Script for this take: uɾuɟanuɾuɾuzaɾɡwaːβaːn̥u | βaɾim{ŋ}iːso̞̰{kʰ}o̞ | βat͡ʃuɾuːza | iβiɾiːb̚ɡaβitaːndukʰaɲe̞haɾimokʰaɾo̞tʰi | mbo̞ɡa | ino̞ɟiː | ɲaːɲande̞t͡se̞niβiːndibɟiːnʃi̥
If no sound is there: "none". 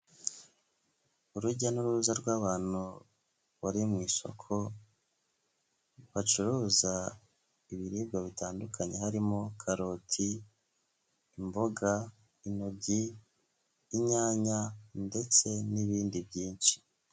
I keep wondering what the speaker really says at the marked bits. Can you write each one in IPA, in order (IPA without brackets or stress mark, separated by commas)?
ŋ, kʰ